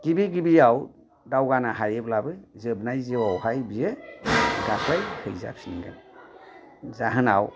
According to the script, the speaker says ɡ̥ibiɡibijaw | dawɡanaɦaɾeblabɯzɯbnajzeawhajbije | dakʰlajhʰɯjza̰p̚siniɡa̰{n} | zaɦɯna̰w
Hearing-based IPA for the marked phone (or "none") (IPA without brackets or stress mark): n